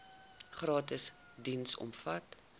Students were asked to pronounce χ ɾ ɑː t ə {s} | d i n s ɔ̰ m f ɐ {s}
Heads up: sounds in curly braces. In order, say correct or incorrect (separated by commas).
correct, incorrect